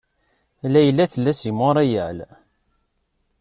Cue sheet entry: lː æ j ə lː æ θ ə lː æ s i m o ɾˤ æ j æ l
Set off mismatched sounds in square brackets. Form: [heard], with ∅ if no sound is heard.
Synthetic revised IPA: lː æ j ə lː æ θ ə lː æ s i m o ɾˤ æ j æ l